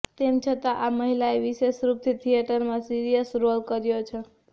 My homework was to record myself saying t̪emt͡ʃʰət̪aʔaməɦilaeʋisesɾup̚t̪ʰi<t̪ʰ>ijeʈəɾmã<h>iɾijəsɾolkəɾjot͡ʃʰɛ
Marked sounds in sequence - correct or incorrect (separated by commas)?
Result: correct, incorrect